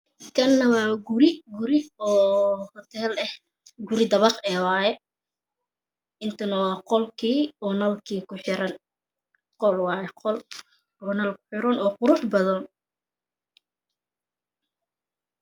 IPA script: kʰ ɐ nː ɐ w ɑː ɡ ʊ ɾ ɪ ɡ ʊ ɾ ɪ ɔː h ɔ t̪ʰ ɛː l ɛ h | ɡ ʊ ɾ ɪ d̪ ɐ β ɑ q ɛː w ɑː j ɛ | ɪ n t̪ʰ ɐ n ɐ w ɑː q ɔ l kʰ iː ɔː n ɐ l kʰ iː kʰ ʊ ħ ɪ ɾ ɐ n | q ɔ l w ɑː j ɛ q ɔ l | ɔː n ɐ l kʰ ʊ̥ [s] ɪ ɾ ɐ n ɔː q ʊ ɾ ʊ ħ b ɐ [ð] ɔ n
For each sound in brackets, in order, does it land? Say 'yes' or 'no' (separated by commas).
no, yes